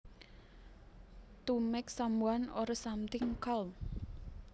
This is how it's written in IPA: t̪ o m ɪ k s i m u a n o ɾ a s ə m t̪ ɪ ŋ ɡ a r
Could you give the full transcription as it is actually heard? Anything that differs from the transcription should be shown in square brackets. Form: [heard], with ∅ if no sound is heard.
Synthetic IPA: t̪ [u] m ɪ k s [a] m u a n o ɾ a s [a] m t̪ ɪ ŋ [k] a [l]